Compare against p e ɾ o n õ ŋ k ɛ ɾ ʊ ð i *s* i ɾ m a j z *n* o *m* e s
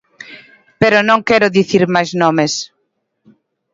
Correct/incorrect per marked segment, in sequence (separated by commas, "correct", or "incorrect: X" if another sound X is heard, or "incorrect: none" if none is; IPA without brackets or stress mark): incorrect: θ, correct, correct